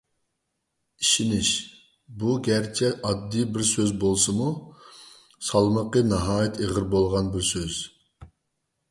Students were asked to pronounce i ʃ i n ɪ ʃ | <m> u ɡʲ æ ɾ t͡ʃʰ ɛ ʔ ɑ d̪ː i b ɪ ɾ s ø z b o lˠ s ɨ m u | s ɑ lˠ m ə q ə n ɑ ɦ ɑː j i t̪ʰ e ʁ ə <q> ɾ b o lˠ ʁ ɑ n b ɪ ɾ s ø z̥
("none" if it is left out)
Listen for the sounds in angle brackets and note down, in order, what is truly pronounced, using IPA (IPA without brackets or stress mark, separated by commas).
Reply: b, none